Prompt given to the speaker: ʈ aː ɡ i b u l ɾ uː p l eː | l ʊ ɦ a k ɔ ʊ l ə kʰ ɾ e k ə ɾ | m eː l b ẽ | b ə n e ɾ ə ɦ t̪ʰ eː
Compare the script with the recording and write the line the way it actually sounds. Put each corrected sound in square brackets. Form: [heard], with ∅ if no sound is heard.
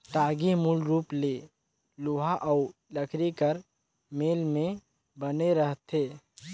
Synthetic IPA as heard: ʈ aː ɡ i [m] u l ɾ uː p l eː | l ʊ ɦ a [ʔ] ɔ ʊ l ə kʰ ɾ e k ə ɾ | m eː l [m] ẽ | b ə n e ɾ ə ɦ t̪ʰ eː